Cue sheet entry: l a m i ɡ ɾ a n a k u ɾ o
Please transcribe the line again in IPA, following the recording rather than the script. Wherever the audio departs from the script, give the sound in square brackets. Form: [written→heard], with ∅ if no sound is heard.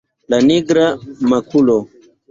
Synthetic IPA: l a [m→n] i ɡ ɾ a [n→m] a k u [ɾ→l] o